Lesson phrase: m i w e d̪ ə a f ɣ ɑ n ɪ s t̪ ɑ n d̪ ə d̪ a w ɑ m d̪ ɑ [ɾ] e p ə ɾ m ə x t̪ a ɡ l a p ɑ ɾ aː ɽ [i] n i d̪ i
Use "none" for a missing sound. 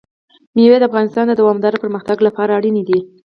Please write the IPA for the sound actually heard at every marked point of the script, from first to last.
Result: ɾ, i

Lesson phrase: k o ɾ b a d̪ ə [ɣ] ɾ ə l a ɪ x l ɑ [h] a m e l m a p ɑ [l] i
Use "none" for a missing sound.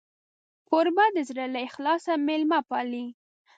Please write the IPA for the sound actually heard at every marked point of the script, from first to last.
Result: z, s, l

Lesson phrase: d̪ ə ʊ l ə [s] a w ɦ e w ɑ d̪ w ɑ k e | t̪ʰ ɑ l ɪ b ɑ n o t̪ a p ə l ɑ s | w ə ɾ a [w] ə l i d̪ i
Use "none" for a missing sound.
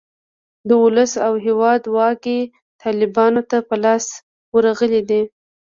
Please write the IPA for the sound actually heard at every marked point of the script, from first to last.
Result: s, ɣ

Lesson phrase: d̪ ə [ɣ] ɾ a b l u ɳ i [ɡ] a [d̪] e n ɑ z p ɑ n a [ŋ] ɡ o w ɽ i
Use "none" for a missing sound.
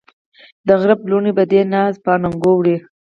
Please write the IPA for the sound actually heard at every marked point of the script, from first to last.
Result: ɣ, b, d̪, ŋ

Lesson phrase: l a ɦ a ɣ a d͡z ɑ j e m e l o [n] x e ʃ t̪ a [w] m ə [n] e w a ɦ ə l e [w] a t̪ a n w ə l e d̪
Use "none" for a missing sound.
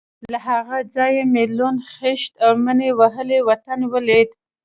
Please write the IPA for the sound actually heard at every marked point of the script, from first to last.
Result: n, w, n, w

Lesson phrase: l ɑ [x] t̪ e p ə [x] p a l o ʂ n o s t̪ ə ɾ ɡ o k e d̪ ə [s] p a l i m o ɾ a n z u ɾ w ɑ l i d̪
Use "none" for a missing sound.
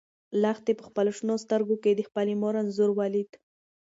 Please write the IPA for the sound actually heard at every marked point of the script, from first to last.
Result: x, x, x

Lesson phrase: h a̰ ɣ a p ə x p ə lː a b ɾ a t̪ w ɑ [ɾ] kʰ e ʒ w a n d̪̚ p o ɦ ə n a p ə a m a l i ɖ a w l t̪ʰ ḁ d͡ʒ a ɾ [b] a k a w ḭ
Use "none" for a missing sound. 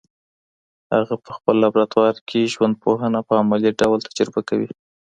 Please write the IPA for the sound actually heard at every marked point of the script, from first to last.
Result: ɾ, b

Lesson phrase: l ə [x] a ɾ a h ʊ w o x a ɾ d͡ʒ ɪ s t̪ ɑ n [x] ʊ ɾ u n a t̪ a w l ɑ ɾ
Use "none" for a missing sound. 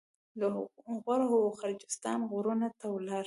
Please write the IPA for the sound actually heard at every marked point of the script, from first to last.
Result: ɣ, ɣ

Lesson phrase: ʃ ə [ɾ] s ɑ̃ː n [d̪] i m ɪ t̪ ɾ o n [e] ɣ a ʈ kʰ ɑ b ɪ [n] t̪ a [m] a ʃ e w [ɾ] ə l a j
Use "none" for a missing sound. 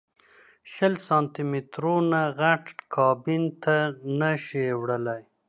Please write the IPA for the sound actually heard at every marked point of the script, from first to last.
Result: l, t̪, a, n, n, ɽ

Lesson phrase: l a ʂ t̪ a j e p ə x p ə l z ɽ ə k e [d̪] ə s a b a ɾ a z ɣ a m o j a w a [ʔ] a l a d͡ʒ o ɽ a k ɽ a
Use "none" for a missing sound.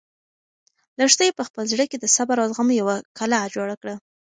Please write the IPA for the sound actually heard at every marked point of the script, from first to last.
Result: d̪, k

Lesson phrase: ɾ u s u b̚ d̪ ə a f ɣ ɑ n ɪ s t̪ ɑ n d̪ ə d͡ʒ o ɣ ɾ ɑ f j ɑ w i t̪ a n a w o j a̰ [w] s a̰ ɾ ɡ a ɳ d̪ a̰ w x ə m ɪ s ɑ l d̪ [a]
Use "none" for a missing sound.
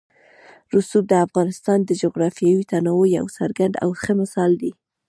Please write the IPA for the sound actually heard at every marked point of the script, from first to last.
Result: w, i

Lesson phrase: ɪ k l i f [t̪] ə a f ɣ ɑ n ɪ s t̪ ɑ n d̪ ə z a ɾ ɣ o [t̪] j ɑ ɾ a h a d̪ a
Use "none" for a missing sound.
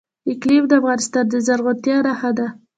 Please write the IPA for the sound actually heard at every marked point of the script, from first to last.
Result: d̪, t̪

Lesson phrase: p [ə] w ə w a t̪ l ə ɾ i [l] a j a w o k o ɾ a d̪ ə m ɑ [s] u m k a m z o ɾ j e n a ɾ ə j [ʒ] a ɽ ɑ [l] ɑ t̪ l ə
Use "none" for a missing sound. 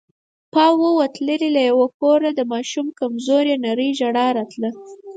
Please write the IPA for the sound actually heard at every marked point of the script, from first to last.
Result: ɑ, l, ʃ, ʒ, ɾ

